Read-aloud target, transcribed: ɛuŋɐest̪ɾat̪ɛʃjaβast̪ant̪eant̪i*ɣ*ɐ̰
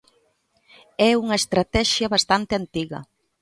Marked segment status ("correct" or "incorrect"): correct